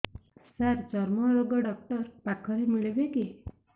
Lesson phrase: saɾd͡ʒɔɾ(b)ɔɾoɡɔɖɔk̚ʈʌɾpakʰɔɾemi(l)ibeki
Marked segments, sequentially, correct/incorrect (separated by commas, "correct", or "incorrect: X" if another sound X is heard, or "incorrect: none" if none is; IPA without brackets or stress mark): incorrect: m, incorrect: ɭ